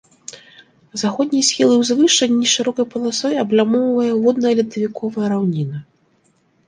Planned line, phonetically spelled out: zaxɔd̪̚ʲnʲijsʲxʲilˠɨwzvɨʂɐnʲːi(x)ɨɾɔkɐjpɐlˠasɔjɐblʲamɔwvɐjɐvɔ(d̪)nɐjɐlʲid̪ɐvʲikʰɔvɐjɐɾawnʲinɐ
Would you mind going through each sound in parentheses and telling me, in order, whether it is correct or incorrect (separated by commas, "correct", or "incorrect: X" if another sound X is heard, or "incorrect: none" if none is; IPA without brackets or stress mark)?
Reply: incorrect: ʂ, correct